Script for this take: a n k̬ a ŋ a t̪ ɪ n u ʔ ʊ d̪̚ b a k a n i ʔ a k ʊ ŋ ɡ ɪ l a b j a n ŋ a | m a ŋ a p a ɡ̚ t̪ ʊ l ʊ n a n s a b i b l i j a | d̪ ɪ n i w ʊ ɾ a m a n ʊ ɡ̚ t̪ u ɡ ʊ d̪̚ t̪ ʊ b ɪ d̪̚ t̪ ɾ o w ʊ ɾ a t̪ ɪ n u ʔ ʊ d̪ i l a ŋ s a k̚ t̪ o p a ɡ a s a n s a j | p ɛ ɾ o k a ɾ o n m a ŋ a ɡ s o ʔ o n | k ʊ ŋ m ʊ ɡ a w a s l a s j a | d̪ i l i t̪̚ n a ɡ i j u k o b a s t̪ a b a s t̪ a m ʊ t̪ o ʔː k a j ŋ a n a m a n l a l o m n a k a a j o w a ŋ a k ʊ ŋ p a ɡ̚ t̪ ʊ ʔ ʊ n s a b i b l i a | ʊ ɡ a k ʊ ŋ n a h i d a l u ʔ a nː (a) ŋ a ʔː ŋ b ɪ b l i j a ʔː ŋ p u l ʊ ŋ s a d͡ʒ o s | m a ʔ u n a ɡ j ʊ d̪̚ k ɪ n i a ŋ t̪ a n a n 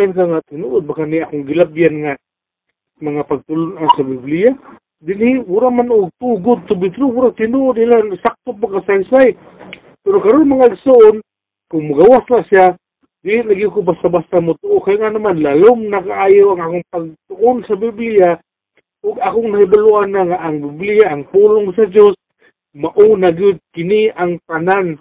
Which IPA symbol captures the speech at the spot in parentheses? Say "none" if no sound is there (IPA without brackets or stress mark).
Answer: a